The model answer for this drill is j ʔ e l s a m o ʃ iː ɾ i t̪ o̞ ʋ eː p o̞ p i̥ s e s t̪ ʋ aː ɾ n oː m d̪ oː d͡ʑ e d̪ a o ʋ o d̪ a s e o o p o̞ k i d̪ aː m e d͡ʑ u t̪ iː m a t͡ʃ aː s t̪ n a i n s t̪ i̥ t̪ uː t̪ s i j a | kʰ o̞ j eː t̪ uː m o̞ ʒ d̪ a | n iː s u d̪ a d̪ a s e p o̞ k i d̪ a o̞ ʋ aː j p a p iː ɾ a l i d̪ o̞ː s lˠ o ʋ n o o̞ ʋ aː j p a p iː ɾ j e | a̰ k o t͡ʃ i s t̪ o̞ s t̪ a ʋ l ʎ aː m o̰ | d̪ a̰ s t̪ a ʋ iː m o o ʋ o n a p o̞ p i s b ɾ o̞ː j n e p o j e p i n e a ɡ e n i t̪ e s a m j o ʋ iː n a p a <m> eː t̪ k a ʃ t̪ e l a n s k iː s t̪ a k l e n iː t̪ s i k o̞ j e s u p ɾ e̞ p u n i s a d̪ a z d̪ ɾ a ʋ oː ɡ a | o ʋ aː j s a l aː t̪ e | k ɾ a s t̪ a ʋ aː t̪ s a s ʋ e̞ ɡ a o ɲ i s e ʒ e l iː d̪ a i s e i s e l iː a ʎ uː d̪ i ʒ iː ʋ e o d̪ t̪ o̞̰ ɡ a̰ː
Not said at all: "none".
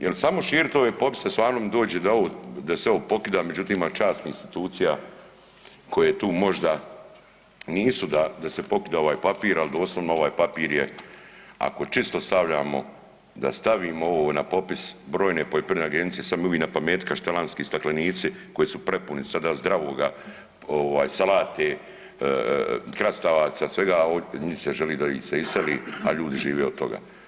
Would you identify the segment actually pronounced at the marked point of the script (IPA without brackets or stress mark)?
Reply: m